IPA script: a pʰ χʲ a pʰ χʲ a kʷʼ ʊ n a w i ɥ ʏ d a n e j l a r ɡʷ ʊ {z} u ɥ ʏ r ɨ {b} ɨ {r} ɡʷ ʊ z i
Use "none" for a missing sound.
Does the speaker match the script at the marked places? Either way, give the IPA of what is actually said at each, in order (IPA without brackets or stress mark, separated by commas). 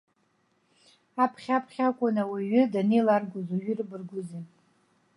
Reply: z, b, r